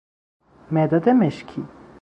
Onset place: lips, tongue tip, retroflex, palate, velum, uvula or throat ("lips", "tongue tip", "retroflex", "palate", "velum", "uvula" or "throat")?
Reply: lips